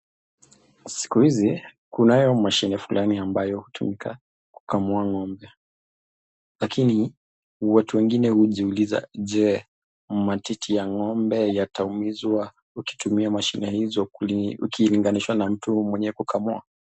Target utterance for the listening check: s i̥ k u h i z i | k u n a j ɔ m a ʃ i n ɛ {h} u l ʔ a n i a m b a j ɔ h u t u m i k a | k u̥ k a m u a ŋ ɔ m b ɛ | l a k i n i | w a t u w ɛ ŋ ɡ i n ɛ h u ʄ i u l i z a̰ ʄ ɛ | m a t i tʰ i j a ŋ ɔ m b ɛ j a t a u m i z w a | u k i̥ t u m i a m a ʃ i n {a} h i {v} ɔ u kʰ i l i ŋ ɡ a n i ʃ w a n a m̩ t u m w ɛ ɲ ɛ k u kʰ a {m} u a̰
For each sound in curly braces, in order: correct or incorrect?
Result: incorrect: f, incorrect: ɛ, incorrect: z, correct

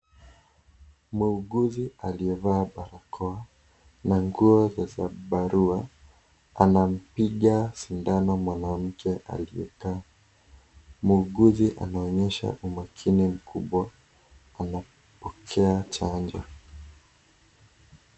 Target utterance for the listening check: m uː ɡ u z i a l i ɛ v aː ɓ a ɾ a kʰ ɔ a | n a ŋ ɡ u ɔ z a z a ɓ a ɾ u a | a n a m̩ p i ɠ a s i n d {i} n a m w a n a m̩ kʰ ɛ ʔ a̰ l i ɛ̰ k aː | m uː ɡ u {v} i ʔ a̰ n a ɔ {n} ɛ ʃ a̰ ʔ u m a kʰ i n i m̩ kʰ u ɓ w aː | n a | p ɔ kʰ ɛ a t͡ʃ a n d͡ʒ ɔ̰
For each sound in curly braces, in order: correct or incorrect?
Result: incorrect: a, incorrect: z, incorrect: ɲ

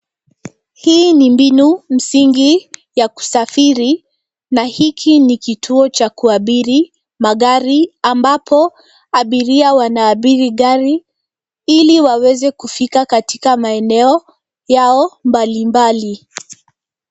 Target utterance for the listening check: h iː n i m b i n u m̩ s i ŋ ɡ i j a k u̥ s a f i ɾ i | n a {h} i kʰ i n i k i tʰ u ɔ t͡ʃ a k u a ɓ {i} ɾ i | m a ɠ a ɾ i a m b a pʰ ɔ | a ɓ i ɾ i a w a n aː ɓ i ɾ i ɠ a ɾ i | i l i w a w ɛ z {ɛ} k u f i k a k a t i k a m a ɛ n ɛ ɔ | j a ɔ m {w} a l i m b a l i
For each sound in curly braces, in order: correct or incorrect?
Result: correct, correct, correct, incorrect: b

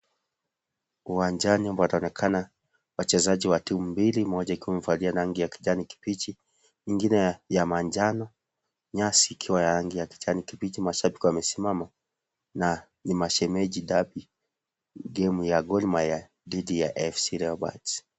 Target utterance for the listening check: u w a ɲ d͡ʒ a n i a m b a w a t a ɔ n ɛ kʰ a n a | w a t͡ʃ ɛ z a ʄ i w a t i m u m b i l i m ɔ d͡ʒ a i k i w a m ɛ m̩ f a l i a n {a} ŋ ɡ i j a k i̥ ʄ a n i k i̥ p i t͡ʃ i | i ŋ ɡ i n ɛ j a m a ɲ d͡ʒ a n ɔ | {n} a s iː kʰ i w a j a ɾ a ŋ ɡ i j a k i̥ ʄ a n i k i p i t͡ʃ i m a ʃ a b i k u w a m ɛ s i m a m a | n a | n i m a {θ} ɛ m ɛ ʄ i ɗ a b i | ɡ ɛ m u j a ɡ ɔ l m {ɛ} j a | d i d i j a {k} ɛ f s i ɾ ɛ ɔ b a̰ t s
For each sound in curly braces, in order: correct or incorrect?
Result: correct, incorrect: ɲ, incorrect: ʃ, incorrect: a, incorrect: ʔ

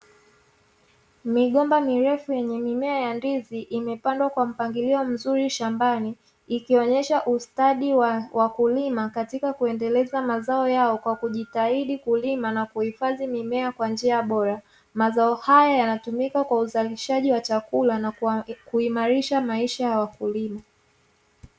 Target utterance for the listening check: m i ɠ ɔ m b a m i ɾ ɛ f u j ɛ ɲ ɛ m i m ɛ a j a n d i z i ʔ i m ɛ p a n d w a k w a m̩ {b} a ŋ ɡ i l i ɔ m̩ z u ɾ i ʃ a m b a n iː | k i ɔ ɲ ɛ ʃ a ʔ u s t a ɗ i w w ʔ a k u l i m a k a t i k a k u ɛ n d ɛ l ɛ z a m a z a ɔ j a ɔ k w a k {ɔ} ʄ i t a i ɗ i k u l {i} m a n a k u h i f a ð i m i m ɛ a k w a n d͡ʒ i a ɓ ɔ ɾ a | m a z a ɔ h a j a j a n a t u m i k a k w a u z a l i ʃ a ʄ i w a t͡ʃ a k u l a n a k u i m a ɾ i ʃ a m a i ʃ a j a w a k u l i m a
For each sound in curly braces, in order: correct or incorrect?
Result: incorrect: p, incorrect: u, correct

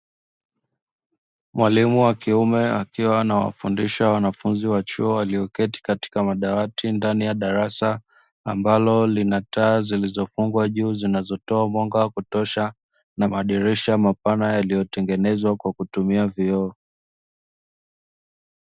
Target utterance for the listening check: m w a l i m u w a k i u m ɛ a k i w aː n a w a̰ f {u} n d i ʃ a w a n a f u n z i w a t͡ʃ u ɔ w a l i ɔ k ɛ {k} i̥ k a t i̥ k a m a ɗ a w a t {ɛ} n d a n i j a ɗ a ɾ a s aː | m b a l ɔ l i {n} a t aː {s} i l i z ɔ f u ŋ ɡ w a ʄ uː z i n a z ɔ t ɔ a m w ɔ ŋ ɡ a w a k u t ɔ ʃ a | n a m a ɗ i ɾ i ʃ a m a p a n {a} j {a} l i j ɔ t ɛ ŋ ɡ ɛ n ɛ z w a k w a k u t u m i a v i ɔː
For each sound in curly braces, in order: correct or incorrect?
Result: correct, incorrect: t, incorrect: i, correct, incorrect: z, correct, correct

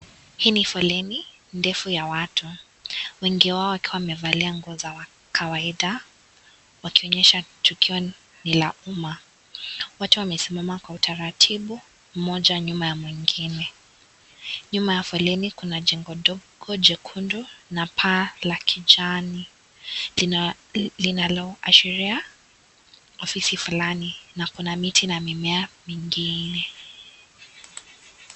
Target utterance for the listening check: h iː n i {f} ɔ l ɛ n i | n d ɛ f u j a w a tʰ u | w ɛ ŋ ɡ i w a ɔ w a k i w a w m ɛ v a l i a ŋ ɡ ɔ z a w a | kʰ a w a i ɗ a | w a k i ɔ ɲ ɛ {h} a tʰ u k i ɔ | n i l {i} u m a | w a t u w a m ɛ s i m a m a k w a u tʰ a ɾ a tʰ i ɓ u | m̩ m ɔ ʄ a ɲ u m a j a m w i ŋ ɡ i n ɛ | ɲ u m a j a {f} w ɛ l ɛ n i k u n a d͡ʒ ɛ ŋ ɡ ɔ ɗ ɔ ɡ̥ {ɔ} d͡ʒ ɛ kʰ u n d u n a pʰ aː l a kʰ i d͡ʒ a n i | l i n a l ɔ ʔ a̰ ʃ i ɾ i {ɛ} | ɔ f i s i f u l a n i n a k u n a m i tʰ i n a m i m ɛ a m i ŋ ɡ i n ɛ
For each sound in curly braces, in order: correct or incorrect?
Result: correct, incorrect: ʃ, incorrect: a, correct, correct, incorrect: a

